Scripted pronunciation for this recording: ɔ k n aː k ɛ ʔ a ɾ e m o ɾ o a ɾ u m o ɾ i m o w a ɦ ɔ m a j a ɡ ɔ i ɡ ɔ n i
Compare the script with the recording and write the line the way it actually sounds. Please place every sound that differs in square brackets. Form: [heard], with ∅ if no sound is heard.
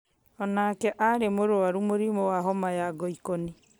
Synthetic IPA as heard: ɔ [∅] n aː k ɛ ʔ a ɾ e m o ɾ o a ɾ u m o ɾ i m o w a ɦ ɔ m a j a ɡ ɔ i [k] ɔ n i

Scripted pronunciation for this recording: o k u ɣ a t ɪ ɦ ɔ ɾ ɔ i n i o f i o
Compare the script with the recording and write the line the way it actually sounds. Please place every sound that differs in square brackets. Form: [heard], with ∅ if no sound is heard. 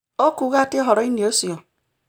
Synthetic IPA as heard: o k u ɣ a t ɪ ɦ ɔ ɾ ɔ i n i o [s] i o

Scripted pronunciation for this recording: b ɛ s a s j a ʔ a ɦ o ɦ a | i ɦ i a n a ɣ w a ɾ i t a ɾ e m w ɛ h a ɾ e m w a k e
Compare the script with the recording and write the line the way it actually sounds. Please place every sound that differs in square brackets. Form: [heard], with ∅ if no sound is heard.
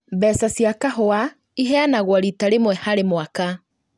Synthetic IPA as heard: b ɛ s a s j a [k] a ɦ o [∅] a | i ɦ [ɛ] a n a ɣ w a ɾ i t a ɾ e m w ɛ h a ɾ e m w a k [a]

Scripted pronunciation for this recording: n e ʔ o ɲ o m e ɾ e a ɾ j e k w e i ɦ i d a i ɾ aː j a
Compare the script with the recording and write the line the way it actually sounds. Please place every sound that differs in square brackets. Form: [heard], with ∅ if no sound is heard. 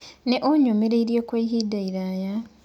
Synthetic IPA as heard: n e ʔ o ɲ o m e ɾ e [i] ɾ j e k w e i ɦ i d a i ɾ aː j a

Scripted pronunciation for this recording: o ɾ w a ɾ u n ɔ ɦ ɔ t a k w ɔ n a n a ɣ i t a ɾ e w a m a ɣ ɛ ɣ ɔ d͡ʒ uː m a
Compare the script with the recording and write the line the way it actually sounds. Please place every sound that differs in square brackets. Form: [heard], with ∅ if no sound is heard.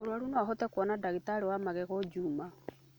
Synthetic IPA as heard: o ɾ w a ɾ u n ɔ ɦ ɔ t [ɛ] k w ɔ n a [d] a ɣ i t a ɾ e w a m a ɣ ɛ ɣ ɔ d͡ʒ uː m a

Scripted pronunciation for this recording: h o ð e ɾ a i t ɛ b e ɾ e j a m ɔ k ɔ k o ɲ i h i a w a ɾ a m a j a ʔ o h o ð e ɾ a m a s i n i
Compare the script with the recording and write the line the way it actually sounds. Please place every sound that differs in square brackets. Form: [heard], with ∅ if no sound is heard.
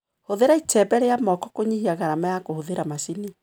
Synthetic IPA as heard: h o ð e ɾ a i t ɛ b [ɛ] ɾ e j a m ɔ k ɔ k o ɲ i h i a [ɣ] a ɾ a m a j a [k] o h o ð e ɾ a m a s i n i

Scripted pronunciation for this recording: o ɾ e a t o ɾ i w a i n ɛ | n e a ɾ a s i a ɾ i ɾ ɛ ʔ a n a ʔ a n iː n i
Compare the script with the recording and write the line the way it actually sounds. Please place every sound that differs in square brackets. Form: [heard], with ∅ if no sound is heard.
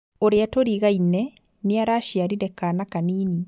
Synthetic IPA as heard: o ɾ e a t o ɾ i [ɣ] a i n ɛ | n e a ɾ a [ʃ] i a ɾ i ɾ ɛ [k] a n a [k] a n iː n i

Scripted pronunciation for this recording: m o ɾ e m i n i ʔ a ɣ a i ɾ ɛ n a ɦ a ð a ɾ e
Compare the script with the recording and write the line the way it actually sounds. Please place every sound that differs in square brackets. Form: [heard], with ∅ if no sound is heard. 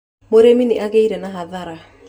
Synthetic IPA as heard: m o ɾ e m i n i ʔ a ɣ [e] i ɾ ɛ n a ɦ a ð a ɾ [a]

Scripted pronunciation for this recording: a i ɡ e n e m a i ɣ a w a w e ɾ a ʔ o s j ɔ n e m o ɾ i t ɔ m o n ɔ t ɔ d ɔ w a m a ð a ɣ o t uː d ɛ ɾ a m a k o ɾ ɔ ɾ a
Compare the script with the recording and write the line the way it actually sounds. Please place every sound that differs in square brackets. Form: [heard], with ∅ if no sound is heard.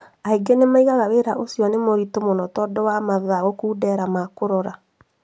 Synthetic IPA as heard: a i ɡ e n e m a i ɣ a [ɣ] a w e ɾ a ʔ o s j ɔ n e m o ɾ i t [o] m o n ɔ t ɔ d ɔ w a m a ð a ɣ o [k] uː d ɛ ɾ a m a k o ɾ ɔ ɾ a

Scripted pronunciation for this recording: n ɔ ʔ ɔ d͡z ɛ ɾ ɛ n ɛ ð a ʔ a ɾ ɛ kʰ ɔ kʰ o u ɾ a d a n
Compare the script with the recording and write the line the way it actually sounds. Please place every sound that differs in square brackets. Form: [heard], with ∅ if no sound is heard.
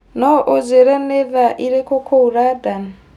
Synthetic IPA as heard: n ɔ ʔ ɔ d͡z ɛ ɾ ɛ n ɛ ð a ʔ [i] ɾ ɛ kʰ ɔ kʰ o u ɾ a d a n

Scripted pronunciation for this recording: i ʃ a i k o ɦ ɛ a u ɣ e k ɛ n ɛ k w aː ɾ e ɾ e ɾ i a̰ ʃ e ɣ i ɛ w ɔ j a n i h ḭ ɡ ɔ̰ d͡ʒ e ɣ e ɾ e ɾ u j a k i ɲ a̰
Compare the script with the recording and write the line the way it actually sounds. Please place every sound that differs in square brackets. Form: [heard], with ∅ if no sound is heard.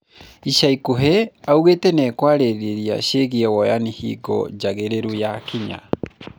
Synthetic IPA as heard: i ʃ a i k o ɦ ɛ a u ɣ e [t] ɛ n ɛ k w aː ɾ e ɾ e ɾ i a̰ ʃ e ɣ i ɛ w ɔ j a n i h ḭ ɡ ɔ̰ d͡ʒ [a] ɣ e ɾ e ɾ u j a k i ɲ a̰

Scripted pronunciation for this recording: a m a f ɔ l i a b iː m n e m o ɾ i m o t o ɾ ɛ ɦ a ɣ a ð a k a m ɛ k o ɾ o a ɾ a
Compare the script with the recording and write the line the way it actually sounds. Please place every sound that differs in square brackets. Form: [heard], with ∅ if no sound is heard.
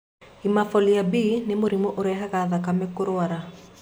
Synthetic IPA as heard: [i] m a f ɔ l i a b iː [∅] n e m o ɾ i m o [ʔ] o ɾ ɛ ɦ a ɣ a ð a k a m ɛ k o ɾ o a ɾ a

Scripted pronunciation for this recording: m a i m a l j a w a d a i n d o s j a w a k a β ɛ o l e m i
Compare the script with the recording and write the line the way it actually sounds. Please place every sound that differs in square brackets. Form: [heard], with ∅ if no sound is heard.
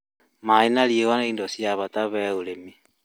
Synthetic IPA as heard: m a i [n] a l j [e] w a [n] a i n d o s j a [β] a [t] a β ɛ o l e m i

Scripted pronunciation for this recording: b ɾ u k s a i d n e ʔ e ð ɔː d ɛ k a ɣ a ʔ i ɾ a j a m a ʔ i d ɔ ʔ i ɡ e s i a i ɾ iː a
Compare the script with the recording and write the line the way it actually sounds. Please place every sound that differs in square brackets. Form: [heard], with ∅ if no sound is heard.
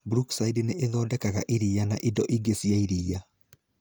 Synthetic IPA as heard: b ɾ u k s a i d n e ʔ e ð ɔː d ɛ k a ɣ a ʔ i ɾ [i] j a [n] a ʔ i d ɔ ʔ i ɡ e s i a i ɾ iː a

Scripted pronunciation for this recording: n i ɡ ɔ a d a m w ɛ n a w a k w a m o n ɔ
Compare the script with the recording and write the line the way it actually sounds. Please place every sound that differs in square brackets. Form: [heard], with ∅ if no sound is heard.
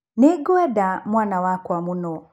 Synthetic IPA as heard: n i ɡ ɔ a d a m w [a] n a w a k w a m [u] n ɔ

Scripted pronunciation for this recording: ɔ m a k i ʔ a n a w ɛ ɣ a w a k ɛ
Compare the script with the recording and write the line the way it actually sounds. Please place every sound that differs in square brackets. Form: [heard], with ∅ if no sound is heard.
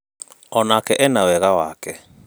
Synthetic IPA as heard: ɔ [n] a k [ɛ] ʔ [ɛ] n a w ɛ ɣ a w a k ɛ

